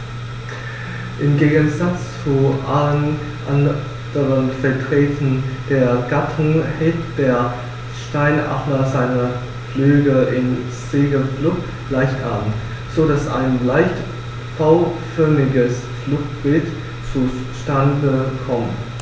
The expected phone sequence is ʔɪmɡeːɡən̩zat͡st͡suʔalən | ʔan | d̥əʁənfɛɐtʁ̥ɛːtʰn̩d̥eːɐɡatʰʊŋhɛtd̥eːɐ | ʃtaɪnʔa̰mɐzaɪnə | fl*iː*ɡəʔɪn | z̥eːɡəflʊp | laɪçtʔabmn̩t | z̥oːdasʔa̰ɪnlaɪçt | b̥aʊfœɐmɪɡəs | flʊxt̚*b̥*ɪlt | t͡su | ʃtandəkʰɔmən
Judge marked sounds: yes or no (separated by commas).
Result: no, yes